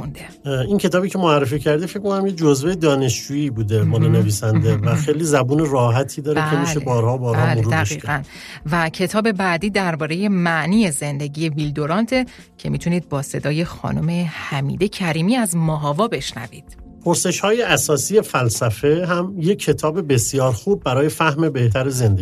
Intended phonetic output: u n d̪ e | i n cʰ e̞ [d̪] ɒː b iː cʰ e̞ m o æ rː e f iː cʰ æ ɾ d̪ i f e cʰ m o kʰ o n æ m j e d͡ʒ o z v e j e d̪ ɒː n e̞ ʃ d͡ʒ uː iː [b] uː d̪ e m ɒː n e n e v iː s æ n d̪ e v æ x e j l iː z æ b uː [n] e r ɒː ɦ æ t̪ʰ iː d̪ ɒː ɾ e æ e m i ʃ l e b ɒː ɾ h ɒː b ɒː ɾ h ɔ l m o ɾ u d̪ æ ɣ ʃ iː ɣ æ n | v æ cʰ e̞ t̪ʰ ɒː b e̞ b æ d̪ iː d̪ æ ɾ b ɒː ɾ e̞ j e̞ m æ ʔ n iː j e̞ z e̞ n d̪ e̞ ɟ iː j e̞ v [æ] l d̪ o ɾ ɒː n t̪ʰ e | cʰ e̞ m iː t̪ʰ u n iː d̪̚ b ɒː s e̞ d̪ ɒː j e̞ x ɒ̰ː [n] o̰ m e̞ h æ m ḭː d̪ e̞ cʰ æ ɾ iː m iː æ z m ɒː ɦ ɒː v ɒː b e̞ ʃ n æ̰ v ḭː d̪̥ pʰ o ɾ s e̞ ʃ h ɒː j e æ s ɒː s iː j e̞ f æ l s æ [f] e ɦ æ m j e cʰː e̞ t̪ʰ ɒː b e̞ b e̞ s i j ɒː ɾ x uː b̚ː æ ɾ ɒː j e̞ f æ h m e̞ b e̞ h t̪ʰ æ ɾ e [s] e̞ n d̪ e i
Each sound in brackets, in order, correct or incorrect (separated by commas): incorrect, correct, correct, incorrect, correct, correct, incorrect